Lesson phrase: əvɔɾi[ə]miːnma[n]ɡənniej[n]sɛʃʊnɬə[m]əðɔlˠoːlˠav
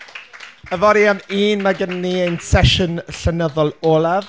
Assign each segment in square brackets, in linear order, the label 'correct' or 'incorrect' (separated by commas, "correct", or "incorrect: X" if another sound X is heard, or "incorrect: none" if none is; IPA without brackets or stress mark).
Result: incorrect: a, incorrect: none, correct, incorrect: n